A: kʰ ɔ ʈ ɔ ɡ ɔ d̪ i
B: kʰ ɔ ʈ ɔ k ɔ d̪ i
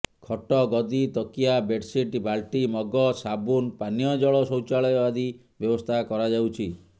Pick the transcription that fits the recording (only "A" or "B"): A